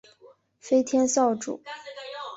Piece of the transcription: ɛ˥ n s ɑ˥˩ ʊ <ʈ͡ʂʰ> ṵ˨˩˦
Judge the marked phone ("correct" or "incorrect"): incorrect